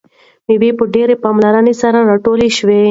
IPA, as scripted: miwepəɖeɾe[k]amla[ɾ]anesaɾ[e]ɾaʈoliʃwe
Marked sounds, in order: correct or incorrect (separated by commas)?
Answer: incorrect, correct, incorrect